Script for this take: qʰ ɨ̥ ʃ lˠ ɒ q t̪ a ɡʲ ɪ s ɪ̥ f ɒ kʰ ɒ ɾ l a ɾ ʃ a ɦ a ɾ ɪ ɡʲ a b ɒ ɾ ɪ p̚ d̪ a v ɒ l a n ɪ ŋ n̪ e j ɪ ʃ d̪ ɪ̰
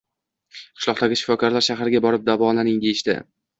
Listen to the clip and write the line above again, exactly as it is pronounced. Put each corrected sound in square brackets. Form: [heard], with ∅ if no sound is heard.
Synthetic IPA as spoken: qʰ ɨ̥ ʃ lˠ ɒ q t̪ a ɡʲ ɪ [ʃ] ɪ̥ f ɒ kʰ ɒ ɾ l a ɾ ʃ a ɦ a ɾ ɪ ɡʲ a b ɒ ɾ ɪ p̚ d̪ a v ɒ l a n ɪ ŋ [d̪] e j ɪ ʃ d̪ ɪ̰